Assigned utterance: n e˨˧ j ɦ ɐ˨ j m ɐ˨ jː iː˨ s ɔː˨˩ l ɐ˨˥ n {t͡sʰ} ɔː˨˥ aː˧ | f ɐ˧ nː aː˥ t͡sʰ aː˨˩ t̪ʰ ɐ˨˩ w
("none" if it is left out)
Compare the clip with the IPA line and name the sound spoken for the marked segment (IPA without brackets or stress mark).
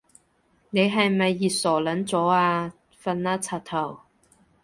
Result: t͡s